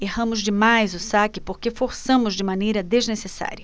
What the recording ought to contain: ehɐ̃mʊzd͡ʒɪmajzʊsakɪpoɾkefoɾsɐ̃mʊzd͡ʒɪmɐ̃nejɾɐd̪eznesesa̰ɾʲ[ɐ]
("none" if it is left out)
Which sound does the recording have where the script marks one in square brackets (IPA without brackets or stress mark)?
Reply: ɐ